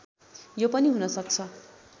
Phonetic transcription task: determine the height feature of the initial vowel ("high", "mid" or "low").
mid